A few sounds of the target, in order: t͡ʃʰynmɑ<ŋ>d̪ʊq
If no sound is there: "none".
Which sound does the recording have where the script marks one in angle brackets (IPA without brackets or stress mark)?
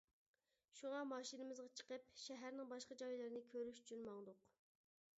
ŋ